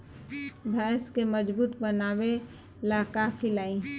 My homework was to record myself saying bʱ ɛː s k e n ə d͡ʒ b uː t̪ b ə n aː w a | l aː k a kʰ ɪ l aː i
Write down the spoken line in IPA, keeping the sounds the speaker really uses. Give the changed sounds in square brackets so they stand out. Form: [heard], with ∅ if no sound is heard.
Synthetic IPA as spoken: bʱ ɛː s k e [m] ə d͡ʒ b uː t̪ b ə n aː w [e] | l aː k a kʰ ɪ l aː i